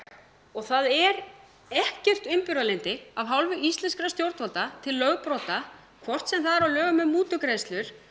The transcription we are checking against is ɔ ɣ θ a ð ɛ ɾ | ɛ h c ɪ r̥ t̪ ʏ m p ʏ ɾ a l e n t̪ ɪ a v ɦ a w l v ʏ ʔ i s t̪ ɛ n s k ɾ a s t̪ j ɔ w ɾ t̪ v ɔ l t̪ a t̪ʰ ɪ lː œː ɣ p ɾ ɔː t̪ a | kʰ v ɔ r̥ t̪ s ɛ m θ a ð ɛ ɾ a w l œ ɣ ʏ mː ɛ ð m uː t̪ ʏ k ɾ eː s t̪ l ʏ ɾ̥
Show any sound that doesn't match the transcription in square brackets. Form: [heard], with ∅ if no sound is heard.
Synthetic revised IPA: ɔ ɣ θ a ð ɛ ɾ | ɛ h c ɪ r̥ t̪ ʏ m p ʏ ɾ a l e n t̪ ɪ a v ɦ a w l v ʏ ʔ i s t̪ ɛ n s k ɾ a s t̪ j [o] w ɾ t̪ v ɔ l t̪ a t̪ʰ ɪ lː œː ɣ p ɾ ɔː t̪ a | kʰ v ɔ r̥ t̪ s ɛ m θ a ð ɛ ɾ a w l [œː] ɣ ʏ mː ɛ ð m uː t̪ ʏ k ɾ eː s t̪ l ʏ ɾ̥